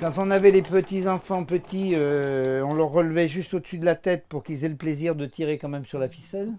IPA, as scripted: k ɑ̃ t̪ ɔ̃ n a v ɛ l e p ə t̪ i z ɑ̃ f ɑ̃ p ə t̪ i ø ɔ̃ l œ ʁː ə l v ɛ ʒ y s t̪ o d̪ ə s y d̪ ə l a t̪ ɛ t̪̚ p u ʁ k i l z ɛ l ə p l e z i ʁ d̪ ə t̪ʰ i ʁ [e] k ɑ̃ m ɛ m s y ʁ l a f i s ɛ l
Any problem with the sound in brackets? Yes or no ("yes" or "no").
no